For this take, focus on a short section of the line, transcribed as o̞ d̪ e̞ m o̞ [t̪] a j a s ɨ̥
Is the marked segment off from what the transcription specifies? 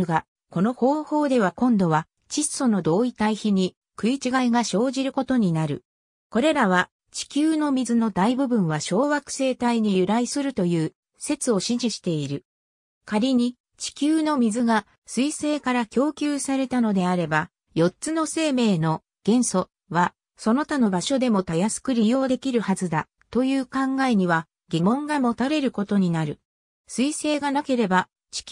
no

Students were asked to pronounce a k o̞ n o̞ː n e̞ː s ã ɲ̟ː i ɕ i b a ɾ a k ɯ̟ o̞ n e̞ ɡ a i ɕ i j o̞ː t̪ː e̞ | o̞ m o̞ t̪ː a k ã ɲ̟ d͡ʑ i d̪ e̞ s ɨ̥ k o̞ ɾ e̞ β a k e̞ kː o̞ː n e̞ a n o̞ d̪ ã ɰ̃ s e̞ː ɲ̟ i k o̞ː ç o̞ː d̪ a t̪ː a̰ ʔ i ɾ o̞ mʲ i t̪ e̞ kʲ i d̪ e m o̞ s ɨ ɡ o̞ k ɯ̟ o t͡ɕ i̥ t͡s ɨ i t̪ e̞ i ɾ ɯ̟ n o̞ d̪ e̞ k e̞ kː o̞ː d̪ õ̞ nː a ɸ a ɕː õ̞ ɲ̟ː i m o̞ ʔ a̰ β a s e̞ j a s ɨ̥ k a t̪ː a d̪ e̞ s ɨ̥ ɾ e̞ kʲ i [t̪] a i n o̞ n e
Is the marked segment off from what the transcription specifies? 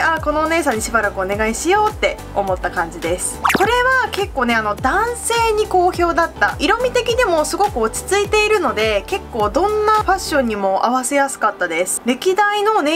yes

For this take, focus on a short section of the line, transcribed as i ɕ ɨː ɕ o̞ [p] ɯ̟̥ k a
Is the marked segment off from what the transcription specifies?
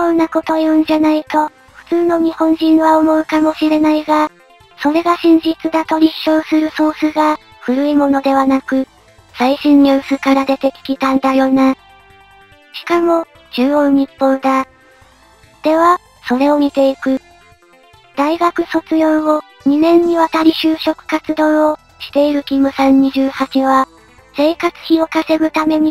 yes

